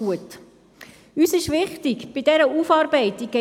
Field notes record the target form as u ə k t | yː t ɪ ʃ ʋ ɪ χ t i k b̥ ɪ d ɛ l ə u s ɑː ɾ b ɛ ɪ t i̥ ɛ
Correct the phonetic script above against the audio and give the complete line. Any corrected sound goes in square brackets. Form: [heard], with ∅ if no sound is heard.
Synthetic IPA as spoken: u ə [∅] t | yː [s] ɪ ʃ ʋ ɪ χ t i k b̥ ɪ d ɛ [ɾ] ə u [f] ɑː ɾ b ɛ ɪ t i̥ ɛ